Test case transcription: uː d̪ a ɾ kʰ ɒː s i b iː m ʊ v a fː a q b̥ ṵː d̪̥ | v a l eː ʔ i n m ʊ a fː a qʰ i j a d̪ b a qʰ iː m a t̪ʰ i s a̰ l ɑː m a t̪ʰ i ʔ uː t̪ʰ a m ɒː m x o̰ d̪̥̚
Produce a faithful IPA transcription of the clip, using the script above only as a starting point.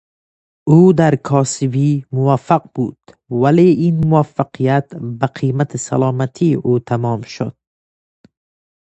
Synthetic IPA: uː d̪ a ɾ kʰ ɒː s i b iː m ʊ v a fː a q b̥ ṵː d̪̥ | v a l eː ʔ i n m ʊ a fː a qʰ i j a t̪ b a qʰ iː m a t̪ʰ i s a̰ l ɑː m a t̪ʰ i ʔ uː t̪ʰ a m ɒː m ʃ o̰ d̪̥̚